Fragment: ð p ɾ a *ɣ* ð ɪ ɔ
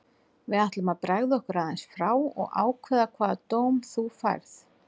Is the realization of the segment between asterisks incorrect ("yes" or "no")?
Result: no